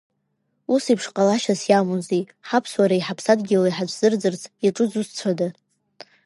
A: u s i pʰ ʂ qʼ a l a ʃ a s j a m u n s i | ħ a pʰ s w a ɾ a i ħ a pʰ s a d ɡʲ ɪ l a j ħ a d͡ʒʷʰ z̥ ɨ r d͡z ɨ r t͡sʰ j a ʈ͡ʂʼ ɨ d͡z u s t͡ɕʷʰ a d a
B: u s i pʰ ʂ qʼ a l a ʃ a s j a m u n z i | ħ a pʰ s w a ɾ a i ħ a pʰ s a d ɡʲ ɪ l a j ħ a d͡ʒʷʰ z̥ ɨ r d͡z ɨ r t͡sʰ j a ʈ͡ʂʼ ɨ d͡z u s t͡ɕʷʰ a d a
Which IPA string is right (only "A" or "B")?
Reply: B